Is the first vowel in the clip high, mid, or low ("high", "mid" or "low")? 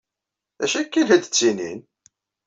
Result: low